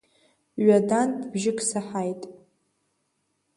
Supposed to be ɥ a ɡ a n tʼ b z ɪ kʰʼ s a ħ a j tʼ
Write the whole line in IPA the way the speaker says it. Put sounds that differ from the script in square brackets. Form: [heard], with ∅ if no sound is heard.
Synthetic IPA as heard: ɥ a [d] a n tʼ b [ʒ] ɪ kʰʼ s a ħ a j tʼ